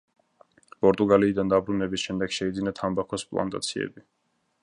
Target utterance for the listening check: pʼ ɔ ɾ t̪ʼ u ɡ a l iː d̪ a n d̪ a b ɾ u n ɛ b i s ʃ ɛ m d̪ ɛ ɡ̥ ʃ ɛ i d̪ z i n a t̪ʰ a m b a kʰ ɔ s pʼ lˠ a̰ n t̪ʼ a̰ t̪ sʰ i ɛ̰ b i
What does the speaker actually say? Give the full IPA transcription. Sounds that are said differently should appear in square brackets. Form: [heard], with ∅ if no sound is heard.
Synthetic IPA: pʼ ɔ ɾ t̪ʼ u ɡ a l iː d̪ a n d̪ a b ɾ u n ɛ b i s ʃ ɛ m d̪ ɛ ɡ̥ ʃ ɛ i d̪ z i n a t̪ʰ a m b a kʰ ɔ s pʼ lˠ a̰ n t̪ʼ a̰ t̪ sʰ i ɛ̰ b i